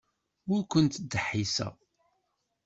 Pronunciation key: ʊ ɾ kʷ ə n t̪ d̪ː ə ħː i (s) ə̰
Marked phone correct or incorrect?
correct